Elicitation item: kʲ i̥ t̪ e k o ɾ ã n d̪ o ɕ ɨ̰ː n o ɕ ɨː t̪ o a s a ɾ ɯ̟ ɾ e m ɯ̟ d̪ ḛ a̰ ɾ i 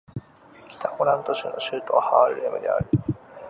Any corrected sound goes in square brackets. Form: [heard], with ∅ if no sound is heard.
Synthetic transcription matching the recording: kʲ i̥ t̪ [a] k o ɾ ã n [t̪] o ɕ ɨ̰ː n o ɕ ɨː t̪ o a [h] a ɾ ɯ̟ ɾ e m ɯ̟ d̪ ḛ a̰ ɾ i